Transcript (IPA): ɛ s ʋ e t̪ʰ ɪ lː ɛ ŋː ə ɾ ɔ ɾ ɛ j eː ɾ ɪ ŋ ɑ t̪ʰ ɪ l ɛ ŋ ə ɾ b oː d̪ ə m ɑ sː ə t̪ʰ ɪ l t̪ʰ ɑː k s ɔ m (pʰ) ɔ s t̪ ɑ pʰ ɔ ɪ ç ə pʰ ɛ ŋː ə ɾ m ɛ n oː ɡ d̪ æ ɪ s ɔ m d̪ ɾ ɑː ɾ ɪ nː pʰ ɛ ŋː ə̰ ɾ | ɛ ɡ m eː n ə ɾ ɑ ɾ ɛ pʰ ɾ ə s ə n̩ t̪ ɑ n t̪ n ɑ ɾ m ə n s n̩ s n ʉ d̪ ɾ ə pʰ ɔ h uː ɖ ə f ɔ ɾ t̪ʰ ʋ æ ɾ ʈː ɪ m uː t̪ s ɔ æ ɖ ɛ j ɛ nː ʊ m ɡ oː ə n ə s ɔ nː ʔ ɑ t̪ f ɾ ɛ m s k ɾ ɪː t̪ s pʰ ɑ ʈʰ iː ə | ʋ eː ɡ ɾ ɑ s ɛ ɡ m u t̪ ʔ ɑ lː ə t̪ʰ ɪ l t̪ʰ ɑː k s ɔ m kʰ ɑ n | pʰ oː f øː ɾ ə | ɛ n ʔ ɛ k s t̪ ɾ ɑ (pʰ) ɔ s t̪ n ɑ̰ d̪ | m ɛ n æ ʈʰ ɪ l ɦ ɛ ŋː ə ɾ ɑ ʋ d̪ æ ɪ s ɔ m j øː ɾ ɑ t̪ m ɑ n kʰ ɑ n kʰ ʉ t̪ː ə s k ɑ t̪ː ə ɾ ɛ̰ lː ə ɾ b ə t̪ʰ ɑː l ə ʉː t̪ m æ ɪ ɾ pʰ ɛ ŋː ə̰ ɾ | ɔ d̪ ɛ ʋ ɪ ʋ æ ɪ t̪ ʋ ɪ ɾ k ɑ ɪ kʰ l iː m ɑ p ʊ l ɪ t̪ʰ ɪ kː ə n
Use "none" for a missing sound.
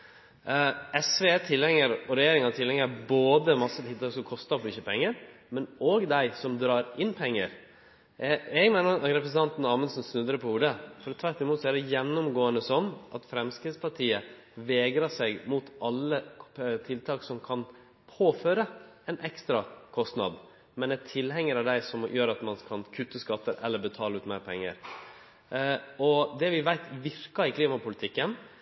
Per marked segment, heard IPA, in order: kʰ, kʰ

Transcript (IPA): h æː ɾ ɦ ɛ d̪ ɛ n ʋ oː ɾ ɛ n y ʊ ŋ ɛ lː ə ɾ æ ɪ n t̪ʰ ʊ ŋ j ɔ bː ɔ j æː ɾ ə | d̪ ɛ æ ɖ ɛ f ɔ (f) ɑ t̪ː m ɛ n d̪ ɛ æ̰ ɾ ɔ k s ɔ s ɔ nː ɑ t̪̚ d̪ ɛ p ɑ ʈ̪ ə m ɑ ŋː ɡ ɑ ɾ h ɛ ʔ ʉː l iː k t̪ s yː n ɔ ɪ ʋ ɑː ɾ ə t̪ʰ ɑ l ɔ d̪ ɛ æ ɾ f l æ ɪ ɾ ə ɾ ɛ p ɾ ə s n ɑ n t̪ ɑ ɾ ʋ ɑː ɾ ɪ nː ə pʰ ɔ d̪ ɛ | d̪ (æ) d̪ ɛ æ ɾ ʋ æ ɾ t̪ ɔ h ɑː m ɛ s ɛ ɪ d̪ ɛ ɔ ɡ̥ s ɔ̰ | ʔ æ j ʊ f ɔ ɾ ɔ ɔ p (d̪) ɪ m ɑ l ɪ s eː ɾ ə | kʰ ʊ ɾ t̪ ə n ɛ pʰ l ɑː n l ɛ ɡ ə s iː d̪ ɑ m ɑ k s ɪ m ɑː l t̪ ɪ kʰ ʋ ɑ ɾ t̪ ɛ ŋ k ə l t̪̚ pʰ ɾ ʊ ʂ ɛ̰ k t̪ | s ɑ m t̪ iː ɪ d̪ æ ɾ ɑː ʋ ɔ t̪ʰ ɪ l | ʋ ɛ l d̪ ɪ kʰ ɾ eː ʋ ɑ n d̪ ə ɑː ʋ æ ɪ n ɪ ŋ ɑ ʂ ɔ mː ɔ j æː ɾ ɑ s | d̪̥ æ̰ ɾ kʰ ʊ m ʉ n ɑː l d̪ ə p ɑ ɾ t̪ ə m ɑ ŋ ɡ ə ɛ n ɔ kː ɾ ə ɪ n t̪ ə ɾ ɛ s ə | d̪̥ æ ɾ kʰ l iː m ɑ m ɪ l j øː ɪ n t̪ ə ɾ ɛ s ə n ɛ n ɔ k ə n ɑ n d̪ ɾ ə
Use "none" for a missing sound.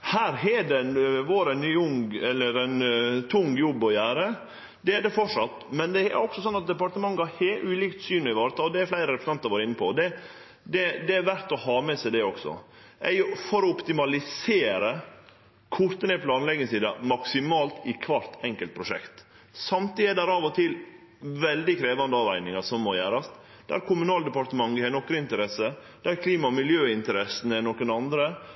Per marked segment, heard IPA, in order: ʂ, ɛ, t̪

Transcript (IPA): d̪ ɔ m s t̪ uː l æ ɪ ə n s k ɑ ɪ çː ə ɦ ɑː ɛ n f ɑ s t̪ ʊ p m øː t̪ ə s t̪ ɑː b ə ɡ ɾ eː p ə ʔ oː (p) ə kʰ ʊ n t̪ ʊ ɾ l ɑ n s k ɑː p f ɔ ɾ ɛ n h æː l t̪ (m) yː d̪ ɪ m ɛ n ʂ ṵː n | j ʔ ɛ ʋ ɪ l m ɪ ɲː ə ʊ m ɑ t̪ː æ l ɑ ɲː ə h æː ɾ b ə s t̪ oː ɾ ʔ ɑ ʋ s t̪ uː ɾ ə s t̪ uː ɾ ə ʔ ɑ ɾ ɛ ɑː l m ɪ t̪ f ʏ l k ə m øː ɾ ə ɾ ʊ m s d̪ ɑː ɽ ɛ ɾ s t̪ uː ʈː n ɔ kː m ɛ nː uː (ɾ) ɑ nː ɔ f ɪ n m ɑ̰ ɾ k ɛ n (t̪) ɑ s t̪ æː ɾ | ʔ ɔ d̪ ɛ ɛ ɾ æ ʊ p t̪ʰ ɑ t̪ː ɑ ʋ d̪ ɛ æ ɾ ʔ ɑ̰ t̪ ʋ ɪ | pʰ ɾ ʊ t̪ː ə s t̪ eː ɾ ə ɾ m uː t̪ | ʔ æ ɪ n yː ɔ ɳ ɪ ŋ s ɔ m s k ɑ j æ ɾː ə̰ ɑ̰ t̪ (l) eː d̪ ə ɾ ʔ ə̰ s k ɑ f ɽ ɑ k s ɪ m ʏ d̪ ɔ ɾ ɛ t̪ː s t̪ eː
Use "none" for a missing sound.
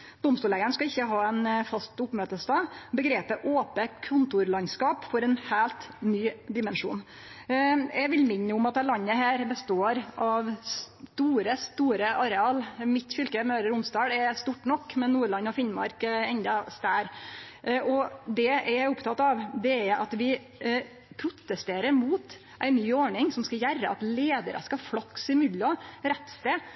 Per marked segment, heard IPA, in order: p, n, ɭ, d̪, l

